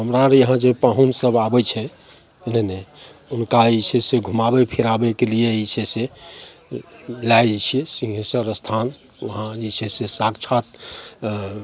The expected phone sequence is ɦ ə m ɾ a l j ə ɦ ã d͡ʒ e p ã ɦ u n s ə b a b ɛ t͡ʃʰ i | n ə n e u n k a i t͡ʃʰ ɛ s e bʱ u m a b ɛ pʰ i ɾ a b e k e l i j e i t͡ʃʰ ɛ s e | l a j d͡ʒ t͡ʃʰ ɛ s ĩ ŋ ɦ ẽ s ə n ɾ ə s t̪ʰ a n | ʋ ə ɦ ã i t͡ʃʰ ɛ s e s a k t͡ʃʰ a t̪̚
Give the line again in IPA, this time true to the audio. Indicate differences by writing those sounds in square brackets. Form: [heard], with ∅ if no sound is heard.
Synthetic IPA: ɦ ə m ɾ a [ɾ] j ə ɦ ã d͡ʒ e p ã ɦ u n s ə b a b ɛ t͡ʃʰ [ɛ] | n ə n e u n k a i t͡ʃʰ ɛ s e [ɡʱ] u m a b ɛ pʰ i ɾ a b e k e l i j e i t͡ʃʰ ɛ s e | l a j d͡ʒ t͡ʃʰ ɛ s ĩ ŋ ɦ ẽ s ə [∅] ɾ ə s t̪ʰ a n | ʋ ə ɦ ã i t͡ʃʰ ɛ s e s a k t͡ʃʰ a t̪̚